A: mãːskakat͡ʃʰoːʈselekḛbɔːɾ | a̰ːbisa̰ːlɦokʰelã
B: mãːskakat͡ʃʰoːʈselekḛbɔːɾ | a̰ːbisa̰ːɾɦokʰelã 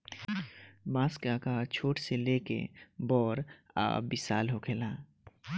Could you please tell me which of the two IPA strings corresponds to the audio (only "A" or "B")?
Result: A